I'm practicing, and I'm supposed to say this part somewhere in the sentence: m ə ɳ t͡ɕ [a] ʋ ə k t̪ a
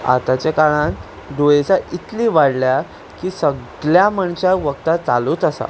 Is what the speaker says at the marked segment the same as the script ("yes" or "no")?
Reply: yes